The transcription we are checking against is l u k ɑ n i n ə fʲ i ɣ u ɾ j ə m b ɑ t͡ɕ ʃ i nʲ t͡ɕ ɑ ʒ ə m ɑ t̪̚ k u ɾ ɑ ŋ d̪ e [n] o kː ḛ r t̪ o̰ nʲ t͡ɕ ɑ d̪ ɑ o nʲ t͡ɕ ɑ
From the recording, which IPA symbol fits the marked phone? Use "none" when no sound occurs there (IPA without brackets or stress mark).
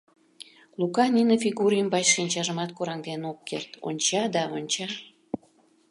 n